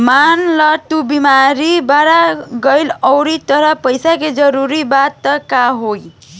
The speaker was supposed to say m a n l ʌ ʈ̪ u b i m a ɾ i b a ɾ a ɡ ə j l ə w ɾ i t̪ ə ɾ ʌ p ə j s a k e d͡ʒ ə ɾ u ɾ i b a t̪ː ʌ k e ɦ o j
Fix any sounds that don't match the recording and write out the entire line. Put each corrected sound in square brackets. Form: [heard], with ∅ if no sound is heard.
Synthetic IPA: m a n l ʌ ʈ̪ u b i m a ɾ i b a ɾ a ɡ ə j l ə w ɾ i t̪ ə ɾ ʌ p ə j s a k e d͡ʒ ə ɾ u ɾ i b a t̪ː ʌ k [a] ɦ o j